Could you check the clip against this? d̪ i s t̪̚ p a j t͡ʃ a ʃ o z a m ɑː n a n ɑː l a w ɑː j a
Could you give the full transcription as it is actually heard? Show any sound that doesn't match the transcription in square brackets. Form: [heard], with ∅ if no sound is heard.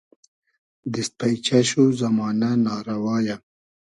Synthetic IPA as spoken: d̪ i s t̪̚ p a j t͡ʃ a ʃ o z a m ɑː n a n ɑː [ɾ] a w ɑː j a